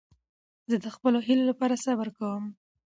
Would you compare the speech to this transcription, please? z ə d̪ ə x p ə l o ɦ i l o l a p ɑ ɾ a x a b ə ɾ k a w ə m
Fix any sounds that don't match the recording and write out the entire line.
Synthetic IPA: z ə d̪ ə x p ə l o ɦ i l o l a p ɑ ɾ a s a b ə ɾ k a w ə m